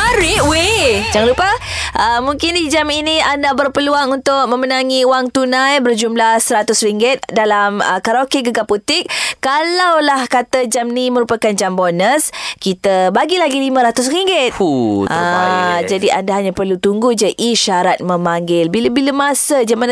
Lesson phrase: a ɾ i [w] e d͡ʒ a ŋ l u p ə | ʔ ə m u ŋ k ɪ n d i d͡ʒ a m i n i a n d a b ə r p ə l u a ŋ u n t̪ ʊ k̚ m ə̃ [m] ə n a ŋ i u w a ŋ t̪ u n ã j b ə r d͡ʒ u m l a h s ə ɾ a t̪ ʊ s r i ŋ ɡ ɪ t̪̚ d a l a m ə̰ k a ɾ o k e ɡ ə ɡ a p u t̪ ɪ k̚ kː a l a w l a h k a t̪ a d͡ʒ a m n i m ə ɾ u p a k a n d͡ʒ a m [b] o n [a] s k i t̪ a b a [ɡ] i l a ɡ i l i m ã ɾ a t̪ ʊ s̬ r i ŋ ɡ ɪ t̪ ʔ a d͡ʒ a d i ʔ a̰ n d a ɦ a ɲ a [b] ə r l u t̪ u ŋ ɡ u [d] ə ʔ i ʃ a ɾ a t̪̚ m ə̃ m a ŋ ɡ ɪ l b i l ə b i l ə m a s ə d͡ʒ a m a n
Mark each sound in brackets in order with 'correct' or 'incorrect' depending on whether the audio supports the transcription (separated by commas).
correct, correct, correct, incorrect, correct, incorrect, incorrect